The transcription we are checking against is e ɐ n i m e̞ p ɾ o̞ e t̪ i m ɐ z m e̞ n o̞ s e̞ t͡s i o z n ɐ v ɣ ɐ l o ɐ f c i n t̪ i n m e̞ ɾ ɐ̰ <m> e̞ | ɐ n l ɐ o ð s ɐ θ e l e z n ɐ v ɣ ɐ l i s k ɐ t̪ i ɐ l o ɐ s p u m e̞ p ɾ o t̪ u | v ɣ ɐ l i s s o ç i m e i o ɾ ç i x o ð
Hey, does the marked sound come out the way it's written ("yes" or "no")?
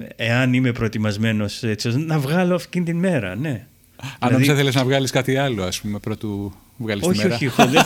no